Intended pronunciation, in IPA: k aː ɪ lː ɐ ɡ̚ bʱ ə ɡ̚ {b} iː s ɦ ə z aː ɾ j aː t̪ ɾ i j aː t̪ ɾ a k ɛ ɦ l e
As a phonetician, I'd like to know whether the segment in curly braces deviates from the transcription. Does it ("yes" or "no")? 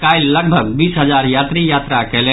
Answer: no